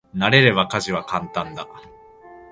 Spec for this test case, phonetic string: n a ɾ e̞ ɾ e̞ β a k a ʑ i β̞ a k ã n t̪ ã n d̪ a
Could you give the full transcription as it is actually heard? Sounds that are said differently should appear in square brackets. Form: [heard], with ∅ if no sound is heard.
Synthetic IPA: n a ɾ e̞ ɾ e̞ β a k a ʑ i β̞ a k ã n t̪ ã n d̪ a